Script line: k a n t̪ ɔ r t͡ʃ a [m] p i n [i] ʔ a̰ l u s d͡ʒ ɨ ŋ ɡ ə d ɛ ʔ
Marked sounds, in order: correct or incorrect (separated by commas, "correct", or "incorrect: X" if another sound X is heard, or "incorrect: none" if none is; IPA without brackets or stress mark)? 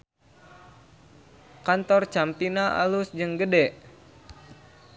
correct, incorrect: a